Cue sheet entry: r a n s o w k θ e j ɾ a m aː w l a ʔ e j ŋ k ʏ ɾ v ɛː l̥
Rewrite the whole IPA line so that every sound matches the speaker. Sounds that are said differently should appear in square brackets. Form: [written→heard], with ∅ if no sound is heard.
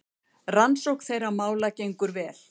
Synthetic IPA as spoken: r a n s o w k θ e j ɾ a m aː w l a [ʔ→c] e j ŋ k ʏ ɾ v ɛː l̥